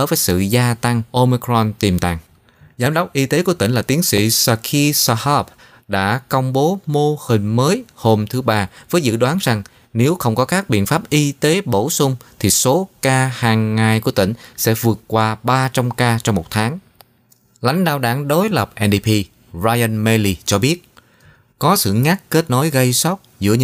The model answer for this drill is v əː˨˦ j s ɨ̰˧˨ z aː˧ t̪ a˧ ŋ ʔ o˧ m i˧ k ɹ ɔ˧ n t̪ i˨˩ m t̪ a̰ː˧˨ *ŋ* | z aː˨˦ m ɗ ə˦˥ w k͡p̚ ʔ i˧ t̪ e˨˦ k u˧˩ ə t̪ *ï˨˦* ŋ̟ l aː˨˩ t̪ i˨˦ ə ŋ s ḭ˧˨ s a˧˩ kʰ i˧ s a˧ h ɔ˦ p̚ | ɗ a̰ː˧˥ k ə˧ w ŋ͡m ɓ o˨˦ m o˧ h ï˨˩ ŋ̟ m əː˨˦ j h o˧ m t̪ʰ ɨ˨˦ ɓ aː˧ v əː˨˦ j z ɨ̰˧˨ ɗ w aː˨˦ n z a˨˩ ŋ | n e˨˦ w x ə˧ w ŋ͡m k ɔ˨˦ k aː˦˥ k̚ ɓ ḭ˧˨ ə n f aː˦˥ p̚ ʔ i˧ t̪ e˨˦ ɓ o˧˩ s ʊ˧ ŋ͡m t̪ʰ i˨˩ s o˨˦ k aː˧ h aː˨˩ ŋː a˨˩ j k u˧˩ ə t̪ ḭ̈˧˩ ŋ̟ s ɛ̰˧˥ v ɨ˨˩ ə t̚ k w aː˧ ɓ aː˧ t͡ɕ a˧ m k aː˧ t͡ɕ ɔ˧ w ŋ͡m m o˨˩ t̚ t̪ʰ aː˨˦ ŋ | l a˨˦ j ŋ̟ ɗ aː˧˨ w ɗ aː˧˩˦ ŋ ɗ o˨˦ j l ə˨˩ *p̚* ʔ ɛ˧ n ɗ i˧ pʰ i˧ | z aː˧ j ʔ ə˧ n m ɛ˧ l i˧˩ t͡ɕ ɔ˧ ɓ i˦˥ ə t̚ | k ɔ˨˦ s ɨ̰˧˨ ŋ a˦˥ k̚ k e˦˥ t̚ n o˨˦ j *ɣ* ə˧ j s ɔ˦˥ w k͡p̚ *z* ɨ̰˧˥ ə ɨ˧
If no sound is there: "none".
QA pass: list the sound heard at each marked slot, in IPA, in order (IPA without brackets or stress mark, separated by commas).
ŋ, ï˧˩, p̚, ɣ, z